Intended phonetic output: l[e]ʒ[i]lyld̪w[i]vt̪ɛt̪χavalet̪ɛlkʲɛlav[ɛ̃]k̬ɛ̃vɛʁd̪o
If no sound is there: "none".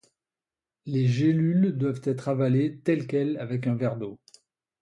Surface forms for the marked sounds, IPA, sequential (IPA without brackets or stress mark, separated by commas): e, e, a, ɛ